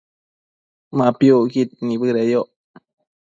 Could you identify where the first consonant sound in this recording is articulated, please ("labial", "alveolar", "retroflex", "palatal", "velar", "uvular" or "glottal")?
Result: labial